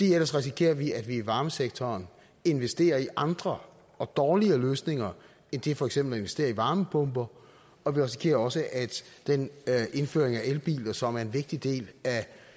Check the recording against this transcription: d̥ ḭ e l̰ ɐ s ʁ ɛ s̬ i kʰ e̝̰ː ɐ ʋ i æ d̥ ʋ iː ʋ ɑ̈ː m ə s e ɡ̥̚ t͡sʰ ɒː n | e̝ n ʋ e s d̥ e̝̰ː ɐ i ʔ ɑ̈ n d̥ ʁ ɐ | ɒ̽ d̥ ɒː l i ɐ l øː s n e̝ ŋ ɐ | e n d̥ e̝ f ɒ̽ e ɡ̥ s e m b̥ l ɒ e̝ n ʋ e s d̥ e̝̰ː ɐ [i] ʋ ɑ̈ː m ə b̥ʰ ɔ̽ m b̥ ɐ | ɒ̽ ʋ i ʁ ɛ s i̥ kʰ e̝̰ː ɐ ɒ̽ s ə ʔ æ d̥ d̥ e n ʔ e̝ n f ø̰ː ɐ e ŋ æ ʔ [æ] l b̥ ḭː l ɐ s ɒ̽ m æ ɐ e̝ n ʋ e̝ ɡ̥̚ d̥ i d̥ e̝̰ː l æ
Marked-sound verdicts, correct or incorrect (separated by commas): correct, incorrect